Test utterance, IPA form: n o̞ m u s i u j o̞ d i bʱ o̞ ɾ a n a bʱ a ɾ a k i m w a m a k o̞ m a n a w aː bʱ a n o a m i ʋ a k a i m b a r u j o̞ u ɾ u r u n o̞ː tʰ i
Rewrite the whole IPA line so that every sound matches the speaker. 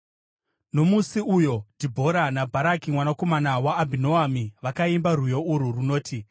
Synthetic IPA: n o̞ m u s i u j o̞ d i bʱ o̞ ɾ a n a bʱ a ɾ a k i m w a n a k o̞ m a n a w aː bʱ i n o a m i ʋ a k a i m b a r u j o̞ u ɾ u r u n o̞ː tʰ i